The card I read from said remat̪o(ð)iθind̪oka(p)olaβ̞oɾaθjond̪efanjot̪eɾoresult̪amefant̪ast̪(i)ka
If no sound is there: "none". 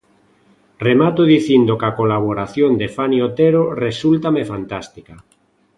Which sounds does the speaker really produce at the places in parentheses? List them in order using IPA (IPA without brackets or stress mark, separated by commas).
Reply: ð, k, i